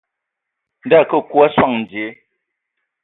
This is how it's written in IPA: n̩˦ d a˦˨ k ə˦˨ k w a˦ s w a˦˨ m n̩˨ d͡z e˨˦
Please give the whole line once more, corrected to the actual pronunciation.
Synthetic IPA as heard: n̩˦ d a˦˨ k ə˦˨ k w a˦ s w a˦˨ ŋ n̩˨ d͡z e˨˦